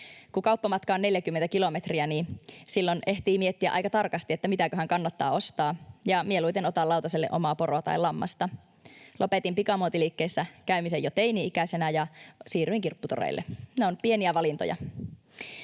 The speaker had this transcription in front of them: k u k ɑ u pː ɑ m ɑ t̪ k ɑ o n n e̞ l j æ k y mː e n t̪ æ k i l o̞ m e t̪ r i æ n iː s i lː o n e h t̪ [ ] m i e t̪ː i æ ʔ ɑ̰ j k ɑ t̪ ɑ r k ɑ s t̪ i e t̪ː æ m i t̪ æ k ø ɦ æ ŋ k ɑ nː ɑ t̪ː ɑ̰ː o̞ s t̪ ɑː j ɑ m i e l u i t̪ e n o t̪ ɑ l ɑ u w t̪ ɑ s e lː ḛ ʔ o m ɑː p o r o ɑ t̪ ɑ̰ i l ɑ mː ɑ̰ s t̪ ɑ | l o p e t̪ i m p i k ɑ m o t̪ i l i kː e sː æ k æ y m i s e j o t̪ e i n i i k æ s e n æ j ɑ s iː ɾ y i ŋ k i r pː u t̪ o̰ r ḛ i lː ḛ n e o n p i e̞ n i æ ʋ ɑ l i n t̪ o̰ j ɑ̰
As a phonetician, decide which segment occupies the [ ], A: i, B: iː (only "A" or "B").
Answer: B